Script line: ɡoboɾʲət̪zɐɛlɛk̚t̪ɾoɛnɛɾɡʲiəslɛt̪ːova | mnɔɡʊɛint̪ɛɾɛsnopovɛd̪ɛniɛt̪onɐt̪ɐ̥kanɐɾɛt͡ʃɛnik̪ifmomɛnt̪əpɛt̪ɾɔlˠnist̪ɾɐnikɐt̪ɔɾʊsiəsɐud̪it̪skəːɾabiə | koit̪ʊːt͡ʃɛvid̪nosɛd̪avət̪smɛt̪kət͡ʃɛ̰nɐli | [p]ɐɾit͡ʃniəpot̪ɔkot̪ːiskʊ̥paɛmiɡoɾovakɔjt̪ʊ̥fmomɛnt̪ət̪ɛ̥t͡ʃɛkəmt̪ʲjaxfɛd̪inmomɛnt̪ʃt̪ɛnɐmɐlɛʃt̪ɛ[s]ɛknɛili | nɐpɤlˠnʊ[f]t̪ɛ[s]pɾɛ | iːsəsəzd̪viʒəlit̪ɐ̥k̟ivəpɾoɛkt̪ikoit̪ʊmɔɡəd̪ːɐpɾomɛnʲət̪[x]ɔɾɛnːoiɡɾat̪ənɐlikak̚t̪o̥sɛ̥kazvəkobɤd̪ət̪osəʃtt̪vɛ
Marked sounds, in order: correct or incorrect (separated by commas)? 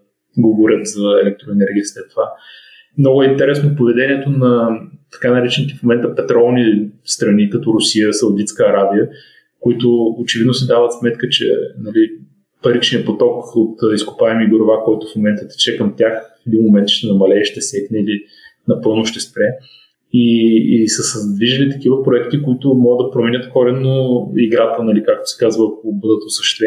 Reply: correct, correct, incorrect, correct, incorrect